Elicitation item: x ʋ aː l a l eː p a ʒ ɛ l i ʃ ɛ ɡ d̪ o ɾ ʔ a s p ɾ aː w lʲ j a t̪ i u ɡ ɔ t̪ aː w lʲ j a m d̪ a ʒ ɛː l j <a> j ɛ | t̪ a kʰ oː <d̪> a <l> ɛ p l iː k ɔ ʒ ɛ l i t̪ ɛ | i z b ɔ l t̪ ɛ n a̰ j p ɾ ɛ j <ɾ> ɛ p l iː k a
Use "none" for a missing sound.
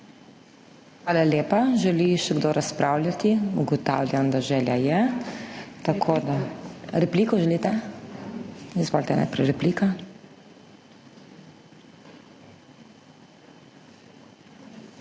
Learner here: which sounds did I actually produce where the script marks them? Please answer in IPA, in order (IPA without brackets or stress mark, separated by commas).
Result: a, d̪, ɾ, ɾ